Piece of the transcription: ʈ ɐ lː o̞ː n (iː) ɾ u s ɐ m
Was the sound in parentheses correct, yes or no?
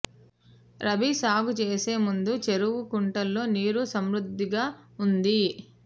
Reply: yes